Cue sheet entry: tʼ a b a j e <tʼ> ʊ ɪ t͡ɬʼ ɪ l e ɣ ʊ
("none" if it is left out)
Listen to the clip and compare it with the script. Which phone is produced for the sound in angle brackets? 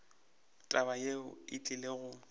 none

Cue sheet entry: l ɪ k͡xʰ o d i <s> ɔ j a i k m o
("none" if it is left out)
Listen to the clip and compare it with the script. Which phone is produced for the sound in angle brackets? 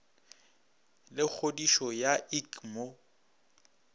ʃ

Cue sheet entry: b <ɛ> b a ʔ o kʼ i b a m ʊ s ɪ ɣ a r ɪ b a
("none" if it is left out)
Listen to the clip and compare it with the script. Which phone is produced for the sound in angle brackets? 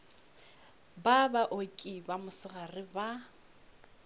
a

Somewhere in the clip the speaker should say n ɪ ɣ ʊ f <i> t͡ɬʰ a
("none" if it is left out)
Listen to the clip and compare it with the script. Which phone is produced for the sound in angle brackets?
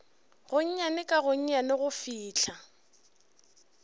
iː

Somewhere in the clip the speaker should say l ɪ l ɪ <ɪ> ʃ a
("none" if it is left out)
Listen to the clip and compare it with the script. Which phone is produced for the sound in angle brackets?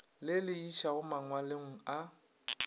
i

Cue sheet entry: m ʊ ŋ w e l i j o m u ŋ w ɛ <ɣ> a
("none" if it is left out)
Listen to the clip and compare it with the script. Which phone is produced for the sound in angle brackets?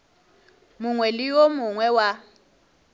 w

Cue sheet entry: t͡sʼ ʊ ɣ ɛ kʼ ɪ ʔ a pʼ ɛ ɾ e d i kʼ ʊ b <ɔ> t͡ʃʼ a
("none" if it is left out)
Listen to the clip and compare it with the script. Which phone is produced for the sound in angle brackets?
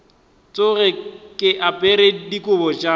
ɔ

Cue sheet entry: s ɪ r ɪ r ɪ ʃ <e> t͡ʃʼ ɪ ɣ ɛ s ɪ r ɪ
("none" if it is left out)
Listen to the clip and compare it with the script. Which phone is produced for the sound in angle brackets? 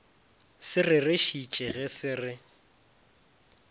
i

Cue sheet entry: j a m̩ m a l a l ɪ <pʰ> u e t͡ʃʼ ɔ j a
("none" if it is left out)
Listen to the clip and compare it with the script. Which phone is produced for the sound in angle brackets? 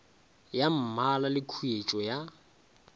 kʰ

